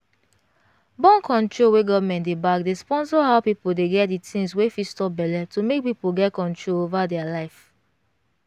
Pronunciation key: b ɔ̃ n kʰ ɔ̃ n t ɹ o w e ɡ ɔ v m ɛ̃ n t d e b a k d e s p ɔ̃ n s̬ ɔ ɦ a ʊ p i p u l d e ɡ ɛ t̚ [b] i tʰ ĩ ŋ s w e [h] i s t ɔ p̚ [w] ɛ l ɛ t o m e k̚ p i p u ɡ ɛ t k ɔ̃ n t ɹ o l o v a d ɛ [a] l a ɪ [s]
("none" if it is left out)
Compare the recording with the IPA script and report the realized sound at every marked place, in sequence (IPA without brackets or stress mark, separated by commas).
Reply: d, f, b, a, f